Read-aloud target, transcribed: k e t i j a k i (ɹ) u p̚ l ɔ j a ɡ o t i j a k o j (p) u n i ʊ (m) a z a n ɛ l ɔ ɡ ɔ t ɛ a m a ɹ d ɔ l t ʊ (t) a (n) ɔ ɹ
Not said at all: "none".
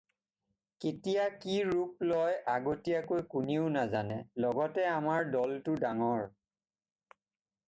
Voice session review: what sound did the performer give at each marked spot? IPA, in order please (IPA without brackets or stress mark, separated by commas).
ɹ, k, n, d, ŋ